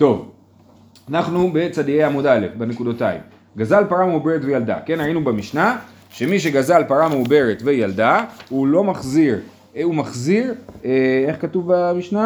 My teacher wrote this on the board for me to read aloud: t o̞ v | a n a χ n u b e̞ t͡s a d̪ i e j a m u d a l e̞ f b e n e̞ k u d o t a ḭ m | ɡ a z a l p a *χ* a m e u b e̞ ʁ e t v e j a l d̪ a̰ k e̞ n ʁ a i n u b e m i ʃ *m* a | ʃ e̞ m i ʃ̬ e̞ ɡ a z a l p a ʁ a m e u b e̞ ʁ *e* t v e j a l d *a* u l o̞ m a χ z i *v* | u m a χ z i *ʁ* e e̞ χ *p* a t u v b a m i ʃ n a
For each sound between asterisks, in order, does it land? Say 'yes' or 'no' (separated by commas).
no, no, yes, yes, no, yes, no